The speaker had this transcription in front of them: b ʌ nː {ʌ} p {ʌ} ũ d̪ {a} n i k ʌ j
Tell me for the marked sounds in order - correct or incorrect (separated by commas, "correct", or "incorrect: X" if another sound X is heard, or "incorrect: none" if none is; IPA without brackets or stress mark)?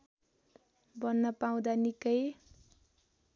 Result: correct, incorrect: a, correct